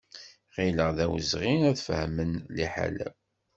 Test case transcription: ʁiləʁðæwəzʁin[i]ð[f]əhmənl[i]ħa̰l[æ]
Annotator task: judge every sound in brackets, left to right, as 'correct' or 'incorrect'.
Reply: incorrect: æ, correct, correct, correct

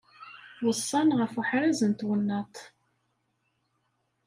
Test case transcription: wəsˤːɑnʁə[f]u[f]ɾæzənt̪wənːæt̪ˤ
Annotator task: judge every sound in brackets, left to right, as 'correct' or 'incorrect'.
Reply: correct, incorrect: ħ

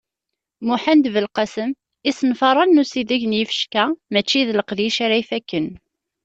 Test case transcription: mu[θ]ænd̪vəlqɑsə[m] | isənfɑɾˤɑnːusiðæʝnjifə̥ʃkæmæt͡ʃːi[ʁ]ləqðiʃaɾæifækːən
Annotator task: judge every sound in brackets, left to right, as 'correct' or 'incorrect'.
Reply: incorrect: ħ, correct, incorrect: ð

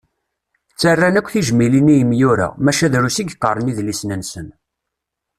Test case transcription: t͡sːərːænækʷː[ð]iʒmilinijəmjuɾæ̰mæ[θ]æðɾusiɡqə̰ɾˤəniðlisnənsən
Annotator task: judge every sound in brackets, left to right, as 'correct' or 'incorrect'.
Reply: incorrect: θ, incorrect: ʃ

